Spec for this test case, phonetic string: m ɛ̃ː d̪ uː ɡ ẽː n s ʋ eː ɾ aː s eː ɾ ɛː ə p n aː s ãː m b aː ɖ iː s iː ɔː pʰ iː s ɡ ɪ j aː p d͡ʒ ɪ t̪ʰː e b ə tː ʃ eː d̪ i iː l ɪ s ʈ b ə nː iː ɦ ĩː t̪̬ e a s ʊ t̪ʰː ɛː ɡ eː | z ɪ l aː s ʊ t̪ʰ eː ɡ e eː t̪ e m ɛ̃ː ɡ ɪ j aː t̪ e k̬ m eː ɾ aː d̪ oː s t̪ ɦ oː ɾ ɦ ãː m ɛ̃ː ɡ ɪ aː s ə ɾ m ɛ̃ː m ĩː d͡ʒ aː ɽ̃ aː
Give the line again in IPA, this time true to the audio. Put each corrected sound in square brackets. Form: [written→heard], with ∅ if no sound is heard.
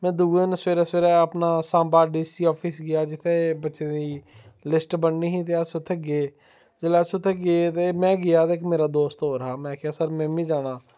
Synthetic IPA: m ɛ̃ː d̪ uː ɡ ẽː n s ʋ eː ɾ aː s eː ɾ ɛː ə p n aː s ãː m b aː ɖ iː s iː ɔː pʰ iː s ɡ ɪ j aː [p→∅] d͡ʒ ɪ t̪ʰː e b ə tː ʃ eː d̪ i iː l ɪ s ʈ b ə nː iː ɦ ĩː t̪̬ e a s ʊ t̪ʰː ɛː ɡ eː | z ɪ l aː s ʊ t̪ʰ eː ɡ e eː t̪ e m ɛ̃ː ɡ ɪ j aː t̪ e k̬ m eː ɾ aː d̪ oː s t̪ ɦ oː ɾ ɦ [ãː→aː] m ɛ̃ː [ɡ→k] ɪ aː s ə ɾ m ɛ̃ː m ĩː d͡ʒ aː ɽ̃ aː